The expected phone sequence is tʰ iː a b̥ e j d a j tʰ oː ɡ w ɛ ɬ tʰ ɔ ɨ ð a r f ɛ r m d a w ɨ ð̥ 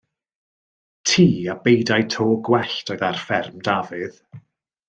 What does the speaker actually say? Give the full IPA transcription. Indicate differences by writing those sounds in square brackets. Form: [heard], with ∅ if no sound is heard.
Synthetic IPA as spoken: tʰ iː a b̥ e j d a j tʰ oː ɡ w ɛ ɬ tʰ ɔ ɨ ð a r f ɛ r m d a [v] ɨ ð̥